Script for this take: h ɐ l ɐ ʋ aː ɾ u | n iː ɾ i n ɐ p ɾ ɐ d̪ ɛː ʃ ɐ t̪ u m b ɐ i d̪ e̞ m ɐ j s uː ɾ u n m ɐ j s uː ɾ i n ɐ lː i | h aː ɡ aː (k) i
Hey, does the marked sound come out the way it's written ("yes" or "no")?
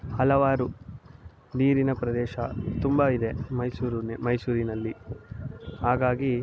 no